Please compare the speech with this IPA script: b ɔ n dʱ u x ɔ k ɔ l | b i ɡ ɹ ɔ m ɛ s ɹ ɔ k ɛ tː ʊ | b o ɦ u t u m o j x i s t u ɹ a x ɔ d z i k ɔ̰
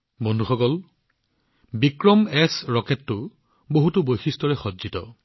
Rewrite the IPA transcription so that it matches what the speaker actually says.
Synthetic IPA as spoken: b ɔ n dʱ u x ɔ k ɔ l | b i k ɹ ɔ m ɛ s ɹ ɔ k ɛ tː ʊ | b o ɦ u t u b o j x i s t ɔ ɹ ɛ x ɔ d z i t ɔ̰